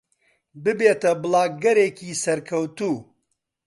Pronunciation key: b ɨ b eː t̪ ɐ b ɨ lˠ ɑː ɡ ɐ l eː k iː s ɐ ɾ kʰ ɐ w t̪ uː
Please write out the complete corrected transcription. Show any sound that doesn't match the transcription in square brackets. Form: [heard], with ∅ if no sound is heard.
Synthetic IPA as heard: b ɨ b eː t̪ ɐ b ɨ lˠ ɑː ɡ ɐ [ɾ] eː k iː s ɐ ɾ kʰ ɐ w t̪ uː